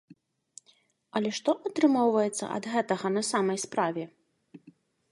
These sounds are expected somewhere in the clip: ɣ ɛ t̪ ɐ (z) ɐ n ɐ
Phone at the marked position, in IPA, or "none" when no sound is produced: ɣ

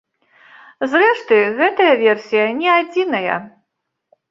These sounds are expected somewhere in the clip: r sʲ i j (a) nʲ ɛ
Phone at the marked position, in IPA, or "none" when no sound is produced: ɐ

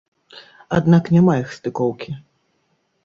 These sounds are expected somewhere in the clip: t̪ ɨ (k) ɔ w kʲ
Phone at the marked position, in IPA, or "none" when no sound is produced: k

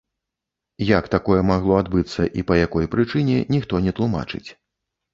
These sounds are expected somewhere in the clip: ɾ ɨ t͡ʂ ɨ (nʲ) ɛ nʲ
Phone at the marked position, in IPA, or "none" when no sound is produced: nʲ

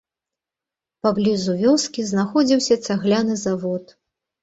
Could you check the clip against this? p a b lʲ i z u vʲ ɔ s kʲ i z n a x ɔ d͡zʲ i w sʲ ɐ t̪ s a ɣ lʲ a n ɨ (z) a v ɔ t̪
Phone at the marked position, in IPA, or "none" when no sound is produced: z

